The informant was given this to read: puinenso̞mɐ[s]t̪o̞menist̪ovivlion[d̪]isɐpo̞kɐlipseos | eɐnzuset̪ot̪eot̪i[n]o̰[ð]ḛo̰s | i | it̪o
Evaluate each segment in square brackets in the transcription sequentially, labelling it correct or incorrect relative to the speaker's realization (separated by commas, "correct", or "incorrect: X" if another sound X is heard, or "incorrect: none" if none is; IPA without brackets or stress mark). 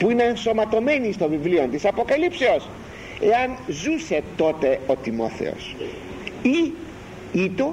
incorrect: none, incorrect: t̪, incorrect: m, incorrect: θ